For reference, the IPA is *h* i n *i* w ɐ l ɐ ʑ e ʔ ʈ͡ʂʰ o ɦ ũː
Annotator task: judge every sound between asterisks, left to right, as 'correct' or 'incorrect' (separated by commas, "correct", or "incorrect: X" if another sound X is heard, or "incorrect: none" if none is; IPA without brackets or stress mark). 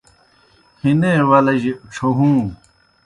correct, incorrect: e